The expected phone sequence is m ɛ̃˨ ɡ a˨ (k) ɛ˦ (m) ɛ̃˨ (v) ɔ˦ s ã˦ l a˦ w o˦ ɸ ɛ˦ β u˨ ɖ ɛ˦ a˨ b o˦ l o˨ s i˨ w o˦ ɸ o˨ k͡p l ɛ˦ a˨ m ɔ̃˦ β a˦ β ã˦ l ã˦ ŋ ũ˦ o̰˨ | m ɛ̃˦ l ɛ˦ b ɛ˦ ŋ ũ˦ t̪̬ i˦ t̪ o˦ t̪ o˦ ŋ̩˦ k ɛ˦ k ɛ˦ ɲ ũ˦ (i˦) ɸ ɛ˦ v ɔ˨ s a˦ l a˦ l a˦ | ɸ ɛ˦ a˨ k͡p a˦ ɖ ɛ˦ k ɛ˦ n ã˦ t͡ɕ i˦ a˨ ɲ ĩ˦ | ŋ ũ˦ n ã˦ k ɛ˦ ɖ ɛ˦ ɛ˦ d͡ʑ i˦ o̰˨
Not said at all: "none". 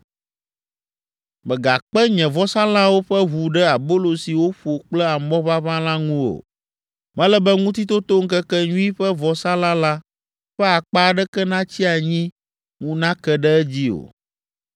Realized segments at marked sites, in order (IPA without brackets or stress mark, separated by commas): k͡p, ɲ, v, i˦